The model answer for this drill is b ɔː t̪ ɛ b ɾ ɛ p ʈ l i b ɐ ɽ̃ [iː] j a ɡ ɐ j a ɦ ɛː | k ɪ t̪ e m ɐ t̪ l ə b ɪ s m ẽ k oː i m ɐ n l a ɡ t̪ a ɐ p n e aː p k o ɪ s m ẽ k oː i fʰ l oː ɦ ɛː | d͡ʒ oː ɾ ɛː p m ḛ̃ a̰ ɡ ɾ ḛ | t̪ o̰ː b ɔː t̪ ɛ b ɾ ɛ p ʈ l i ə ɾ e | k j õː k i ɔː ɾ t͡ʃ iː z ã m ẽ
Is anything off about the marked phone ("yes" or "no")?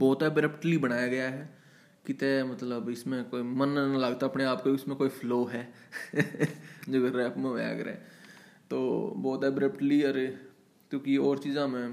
yes